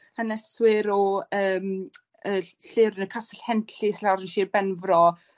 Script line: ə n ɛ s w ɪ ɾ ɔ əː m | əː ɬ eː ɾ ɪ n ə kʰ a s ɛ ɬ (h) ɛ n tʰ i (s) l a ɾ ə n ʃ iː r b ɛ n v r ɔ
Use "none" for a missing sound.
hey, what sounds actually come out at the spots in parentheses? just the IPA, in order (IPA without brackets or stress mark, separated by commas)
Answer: h, s